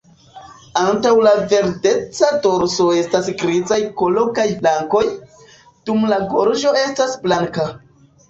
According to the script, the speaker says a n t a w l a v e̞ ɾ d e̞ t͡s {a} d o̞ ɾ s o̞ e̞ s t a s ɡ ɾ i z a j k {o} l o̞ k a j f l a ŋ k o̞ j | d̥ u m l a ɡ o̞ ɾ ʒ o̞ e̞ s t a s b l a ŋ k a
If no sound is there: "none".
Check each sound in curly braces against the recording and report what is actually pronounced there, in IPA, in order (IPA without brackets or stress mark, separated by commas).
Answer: a, o